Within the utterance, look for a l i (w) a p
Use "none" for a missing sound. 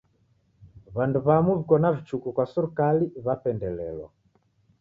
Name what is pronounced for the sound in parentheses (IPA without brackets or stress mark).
β